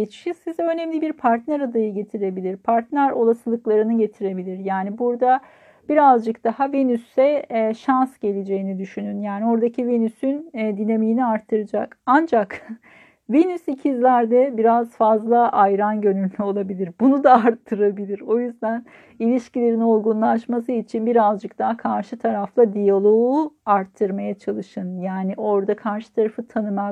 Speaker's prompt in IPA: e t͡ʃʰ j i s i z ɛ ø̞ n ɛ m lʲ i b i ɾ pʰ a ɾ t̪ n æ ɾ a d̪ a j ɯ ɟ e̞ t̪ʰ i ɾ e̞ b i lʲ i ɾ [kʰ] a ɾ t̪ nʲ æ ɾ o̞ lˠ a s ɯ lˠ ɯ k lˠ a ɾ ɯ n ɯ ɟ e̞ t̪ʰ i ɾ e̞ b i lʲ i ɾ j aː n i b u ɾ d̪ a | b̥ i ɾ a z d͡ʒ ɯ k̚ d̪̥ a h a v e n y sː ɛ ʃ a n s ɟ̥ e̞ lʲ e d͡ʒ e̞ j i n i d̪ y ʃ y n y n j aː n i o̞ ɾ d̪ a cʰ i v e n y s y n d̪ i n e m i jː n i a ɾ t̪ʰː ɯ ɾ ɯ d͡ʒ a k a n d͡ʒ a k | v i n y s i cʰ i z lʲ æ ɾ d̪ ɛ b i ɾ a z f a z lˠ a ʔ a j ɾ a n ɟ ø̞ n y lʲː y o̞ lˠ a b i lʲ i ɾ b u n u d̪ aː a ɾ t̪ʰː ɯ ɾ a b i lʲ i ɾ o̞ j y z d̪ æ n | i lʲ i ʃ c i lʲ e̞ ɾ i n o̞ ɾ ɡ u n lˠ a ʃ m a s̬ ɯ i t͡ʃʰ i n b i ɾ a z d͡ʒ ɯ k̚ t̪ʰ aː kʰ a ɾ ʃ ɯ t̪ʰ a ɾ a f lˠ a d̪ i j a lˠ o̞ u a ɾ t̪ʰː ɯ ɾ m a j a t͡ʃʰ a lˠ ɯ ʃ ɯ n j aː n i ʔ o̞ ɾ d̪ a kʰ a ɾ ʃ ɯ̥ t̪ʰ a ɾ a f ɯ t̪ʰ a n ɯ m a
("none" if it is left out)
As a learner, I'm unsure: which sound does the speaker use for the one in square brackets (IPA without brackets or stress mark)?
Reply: pʰ